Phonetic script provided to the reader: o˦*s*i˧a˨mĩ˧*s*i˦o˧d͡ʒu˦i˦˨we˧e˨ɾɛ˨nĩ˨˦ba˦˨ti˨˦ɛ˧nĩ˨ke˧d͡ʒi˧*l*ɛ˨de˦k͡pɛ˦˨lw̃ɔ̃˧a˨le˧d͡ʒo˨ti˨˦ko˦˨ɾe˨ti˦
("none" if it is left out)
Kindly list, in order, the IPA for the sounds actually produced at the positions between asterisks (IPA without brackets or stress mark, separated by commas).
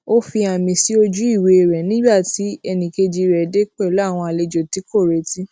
f, s, ɾ